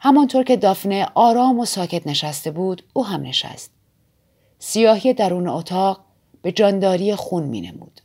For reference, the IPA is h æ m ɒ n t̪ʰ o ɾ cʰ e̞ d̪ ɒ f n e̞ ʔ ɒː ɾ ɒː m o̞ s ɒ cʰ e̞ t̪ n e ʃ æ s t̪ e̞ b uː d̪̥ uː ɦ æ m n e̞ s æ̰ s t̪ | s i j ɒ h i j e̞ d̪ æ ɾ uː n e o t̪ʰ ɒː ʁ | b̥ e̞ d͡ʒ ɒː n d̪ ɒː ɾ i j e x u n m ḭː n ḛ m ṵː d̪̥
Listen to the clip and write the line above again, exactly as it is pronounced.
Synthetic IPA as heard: h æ m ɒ n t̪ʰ o ɾ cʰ e̞ d̪ ɒ f n e̞ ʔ ɒː ɾ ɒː m o̞ s ɒː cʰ e̞ t̪ n e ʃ æ s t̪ e̞ b uː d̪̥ uː ɦ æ m n e̞ ʃ æ̰ s t̪ | s i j ɒː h i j e̞ d̪ æ ɾ uː n e o t̪ʰ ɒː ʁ | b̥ e̞ d͡ʒ ɒː n d̪ ɒː ɾ i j e x u n m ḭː n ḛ m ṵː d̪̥